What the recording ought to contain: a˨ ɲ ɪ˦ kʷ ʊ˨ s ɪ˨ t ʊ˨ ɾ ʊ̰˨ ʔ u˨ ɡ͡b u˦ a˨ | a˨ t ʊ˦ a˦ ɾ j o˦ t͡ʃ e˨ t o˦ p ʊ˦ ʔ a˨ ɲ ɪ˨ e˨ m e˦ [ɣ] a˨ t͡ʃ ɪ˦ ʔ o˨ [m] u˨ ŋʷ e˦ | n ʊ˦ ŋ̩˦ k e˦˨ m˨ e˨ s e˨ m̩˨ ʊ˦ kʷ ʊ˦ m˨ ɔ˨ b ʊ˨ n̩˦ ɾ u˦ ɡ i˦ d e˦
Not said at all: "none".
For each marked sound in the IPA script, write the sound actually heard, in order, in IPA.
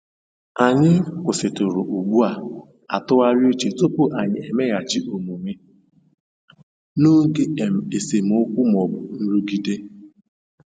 ɣ, m

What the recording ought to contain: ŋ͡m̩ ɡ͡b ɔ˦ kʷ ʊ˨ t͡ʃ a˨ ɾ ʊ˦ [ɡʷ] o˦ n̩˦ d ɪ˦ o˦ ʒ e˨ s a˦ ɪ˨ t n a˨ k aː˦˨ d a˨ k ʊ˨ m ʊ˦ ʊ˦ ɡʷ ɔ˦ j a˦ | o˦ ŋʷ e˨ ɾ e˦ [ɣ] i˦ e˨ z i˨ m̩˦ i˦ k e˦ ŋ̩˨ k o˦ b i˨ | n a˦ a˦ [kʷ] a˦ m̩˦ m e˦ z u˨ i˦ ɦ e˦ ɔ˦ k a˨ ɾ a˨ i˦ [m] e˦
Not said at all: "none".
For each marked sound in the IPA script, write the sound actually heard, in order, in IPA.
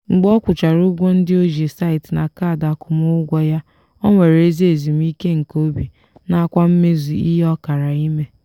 ɡʷ, z, kʷ, m

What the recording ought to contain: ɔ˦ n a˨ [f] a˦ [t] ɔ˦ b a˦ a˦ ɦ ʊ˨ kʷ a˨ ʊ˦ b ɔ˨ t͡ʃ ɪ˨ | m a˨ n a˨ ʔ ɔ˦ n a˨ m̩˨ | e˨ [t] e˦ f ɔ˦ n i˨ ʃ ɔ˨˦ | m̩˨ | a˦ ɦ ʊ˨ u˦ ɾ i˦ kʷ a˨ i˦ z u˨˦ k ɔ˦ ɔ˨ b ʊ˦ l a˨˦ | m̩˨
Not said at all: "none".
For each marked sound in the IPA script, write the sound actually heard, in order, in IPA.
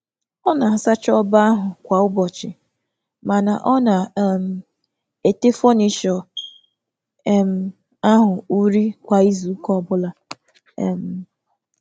s, t͡ʃ, t

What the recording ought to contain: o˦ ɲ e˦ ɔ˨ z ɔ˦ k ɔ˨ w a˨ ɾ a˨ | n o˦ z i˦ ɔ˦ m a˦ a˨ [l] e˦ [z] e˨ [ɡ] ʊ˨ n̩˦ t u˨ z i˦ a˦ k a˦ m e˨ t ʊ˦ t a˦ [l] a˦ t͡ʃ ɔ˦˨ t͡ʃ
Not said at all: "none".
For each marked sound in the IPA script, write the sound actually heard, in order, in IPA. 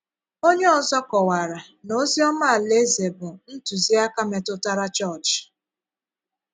l, z, b, ɾ

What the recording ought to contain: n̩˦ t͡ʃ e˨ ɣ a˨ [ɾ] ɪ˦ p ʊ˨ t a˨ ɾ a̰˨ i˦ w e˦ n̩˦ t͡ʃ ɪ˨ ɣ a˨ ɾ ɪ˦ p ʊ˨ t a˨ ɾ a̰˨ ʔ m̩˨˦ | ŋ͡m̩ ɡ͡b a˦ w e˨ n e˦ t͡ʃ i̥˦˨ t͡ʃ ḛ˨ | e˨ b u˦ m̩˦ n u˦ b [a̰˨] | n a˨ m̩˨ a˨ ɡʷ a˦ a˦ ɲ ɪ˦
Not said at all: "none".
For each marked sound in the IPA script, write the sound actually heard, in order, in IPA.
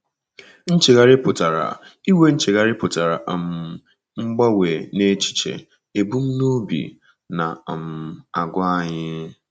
ɾ, ḭ˨

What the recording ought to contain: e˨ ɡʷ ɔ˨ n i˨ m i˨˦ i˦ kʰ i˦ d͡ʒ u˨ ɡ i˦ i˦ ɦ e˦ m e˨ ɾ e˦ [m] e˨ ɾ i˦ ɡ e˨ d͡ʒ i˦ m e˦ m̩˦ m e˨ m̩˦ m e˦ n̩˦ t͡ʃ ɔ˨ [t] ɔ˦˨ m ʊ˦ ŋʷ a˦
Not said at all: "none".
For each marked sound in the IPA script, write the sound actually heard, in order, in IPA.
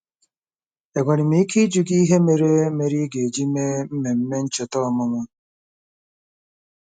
m, t

